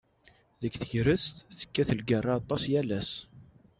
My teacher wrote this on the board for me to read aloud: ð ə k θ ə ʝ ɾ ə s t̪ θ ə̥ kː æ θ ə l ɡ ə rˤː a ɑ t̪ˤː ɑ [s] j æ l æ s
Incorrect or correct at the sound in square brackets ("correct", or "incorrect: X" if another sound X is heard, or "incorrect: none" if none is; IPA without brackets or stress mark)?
correct